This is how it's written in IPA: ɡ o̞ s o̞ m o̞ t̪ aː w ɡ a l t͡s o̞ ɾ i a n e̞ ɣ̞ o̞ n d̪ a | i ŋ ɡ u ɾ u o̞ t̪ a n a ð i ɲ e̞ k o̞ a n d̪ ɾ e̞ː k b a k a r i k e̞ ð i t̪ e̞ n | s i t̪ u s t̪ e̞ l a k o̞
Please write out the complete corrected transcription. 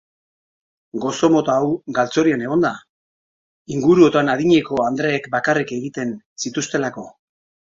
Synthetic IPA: ɡ o̞ s o̞ m o̞ t̪ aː w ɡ a l t͡s o̞ ɾ i a n e̞ ɣ̞ o̞ n d̪ a | i ŋ ɡ u ɾ u o̞ t̪ a n a ð i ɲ e̞ k o̞ a n d̪ ɾ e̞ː k b a k a r i k e̞ ɣ i t̪ e̞ n | s i t̪ u s t̪ e̞ l a k o̞